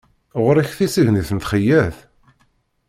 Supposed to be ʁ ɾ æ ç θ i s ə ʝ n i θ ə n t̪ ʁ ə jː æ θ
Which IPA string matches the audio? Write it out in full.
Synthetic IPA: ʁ ɾ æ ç θ i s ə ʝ n i θ ə n t̪ χ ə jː æ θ